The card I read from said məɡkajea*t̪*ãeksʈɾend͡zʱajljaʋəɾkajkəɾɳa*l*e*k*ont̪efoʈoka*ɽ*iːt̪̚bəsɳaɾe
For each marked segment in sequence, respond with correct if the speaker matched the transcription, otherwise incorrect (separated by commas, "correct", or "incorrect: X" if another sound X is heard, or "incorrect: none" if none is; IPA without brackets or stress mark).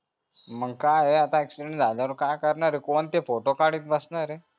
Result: correct, incorrect: ɾ, correct, correct